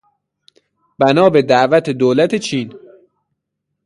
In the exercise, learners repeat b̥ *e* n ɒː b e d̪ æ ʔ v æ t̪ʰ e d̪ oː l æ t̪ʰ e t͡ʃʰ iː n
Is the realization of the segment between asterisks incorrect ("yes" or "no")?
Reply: yes